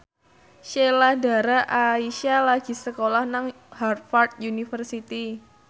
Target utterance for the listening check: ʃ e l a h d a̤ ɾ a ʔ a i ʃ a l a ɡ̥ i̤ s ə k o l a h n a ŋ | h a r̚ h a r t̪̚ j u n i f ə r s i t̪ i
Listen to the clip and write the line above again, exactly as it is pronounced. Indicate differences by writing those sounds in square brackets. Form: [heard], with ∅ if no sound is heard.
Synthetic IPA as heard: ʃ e l a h d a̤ ɾ a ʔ a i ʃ a l a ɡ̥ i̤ s ə k o l a h n a ŋ | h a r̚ [f] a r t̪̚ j u n i f ə r s i t̪ i